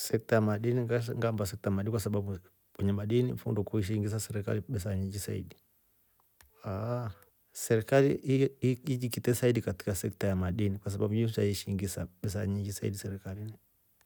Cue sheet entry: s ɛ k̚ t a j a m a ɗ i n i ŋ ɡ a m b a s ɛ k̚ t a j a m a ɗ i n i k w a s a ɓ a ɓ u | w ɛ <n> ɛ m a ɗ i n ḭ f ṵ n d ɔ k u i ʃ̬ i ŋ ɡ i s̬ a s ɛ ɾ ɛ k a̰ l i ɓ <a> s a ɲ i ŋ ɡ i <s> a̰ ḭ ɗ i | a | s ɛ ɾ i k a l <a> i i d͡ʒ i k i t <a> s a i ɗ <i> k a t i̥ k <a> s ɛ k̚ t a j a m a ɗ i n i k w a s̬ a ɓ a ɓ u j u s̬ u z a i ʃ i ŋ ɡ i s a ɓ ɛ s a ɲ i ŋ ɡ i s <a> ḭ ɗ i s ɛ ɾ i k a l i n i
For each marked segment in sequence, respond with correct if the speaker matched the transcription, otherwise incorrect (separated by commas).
incorrect, incorrect, correct, incorrect, incorrect, correct, correct, correct